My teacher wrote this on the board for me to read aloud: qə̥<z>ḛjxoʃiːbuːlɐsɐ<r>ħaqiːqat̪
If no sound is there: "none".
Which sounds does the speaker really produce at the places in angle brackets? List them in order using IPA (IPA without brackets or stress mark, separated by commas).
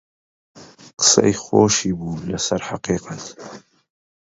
s, ɾ